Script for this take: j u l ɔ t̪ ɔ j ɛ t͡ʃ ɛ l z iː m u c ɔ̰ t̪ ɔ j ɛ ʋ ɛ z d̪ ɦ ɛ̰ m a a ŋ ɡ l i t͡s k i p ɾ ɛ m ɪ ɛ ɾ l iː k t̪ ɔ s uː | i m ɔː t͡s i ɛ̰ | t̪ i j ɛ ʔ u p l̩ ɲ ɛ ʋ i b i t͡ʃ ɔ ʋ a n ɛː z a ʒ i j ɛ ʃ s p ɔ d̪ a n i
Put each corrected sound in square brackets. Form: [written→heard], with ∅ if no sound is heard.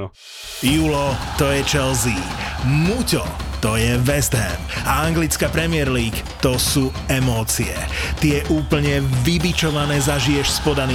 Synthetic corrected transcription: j u l ɔ t̪ ɔ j ɛ t͡ʃ ɛ l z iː m u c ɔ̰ t̪ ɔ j ɛ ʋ ɛ z d̪ ɦ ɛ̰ m a a ŋ ɡ l i t͡s k [i→a] p ɾ ɛ m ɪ ɛ ɾ l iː k t̪ ɔ s uː | [i→ɛ] m ɔː t͡s i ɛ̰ | t̪ i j ɛ ʔ [u→uː] p l̩ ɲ ɛ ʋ i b i t͡ʃ ɔ ʋ a n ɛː z a ʒ i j ɛ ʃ s p ɔ d̪ a n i